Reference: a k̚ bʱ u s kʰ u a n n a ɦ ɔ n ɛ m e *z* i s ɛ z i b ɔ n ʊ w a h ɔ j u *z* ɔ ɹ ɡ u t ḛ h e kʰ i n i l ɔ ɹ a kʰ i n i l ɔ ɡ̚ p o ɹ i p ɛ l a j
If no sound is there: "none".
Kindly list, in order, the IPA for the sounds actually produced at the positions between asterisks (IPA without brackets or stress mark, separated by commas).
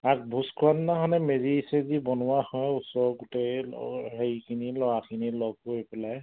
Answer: z, s